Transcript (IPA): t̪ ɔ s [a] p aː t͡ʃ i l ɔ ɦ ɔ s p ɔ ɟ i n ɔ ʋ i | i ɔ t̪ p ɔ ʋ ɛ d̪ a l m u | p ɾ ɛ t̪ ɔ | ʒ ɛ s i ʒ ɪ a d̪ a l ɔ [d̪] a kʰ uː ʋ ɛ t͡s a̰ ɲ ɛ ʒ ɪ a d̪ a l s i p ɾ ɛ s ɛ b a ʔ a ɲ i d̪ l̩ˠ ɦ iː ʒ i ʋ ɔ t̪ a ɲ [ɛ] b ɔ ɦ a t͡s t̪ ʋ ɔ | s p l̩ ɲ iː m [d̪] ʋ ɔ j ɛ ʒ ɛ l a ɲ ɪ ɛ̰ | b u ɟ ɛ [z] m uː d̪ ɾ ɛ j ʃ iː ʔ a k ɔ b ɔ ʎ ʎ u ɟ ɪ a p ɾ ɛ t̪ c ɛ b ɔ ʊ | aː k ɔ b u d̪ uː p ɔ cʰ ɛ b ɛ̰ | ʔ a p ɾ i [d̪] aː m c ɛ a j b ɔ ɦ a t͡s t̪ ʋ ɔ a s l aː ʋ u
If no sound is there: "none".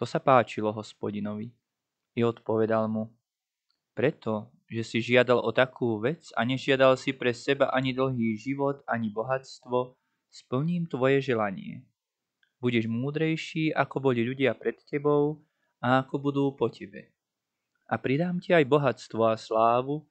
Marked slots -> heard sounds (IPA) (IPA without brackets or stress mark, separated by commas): a, t̪, i, t̪, ʒ, d̪